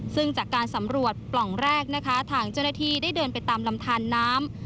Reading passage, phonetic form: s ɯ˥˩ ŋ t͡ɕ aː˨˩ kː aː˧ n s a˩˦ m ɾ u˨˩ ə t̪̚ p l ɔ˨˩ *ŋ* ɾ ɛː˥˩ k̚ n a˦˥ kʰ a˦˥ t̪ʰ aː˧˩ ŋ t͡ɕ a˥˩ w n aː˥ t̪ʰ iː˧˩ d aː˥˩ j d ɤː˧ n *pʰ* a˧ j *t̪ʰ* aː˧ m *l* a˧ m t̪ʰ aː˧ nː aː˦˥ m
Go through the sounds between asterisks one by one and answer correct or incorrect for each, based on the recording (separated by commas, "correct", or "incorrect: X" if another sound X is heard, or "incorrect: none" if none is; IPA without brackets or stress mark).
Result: correct, incorrect: p, incorrect: t̪, correct